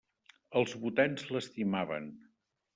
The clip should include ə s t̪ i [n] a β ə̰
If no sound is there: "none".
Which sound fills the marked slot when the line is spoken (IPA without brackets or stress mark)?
m